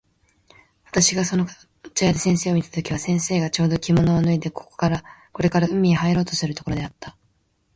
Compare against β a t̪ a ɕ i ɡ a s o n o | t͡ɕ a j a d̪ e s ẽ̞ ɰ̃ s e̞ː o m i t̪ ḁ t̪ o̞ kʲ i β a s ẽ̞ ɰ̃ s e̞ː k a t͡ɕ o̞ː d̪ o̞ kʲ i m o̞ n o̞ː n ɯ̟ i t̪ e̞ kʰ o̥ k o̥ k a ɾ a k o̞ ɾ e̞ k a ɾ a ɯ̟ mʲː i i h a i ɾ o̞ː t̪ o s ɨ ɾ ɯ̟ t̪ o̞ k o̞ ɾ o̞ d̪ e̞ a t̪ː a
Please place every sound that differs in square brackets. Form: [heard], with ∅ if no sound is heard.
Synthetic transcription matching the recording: β a t̪ a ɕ i ɡ a s o n o | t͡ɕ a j a d̪ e s ẽ̞ ɰ̃ s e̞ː o m i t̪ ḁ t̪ o̞ kʲ i β a s ẽ̞ ɰ̃ s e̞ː [ɡ] a t͡ɕ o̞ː d̪ o̞ kʲ i m o̞ n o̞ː n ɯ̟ i [d̪] e̞ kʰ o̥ k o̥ k a ɾ a k o̞ ɾ e̞ k a ɾ a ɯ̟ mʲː i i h a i ɾ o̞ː t̪ o s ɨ ɾ ɯ̟ t̪ o̞ k o̞ ɾ o̞ d̪ e̞ a t̪ː a